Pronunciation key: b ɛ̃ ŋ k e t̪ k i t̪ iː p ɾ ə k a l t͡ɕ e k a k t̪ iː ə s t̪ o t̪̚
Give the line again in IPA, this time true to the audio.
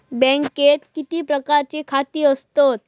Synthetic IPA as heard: b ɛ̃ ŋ k e t̪ k i t̪ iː p ɾ ə k a ɾ t͡ɕ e kʰ a t̪ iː ə s t̪ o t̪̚